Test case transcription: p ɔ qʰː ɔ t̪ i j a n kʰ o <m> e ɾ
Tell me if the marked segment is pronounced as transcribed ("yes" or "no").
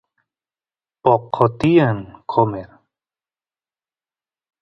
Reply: yes